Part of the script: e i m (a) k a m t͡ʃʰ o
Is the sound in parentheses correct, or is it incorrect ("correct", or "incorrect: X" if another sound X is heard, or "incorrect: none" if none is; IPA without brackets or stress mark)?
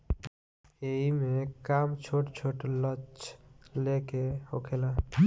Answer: incorrect: e